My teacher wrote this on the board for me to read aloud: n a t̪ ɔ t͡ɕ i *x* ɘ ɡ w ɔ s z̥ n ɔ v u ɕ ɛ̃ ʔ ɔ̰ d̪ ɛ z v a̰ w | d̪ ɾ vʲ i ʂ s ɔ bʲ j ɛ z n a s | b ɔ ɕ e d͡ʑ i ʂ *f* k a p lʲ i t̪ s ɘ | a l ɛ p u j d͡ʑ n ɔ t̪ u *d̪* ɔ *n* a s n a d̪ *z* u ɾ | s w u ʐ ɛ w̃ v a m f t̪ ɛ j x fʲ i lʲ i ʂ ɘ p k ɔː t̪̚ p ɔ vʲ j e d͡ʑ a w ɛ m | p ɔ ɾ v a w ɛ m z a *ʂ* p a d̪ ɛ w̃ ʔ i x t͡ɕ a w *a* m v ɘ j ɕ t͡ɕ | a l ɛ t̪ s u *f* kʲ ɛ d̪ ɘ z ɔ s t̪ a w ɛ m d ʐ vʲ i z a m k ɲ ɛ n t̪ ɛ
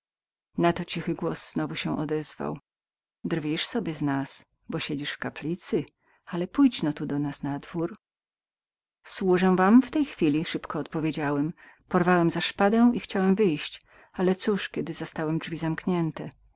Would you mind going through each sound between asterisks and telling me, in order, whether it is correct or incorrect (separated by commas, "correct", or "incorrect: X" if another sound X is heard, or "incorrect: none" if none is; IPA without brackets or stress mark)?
correct, correct, correct, correct, incorrect: v, correct, incorrect: ɛ, incorrect: ʂ